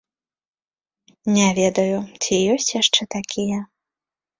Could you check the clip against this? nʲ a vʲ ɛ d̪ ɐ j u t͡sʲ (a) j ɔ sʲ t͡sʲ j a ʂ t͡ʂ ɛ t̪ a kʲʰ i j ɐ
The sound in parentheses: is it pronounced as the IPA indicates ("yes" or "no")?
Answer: no